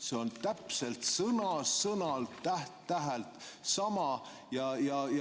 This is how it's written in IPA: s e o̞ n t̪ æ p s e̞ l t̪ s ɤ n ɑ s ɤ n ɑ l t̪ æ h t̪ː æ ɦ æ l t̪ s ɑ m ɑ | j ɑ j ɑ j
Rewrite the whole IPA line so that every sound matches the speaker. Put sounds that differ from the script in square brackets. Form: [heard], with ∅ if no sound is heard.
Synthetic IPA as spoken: s e o̞ n t̪ æ p s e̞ l t̪ s ɤ n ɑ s ɤ n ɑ l t̪ æ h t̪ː æ ɦ æ l t̪ s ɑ m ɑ | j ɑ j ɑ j